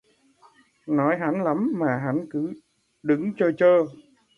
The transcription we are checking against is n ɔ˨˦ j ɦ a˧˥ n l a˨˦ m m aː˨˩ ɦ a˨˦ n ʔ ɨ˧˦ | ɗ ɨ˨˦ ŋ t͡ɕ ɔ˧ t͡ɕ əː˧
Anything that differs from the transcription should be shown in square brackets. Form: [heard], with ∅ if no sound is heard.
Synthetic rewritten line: n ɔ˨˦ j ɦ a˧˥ n l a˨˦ m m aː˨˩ ɦ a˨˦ n [k] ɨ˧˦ | ɗ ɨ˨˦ ŋ t͡ɕ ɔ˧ t͡ɕ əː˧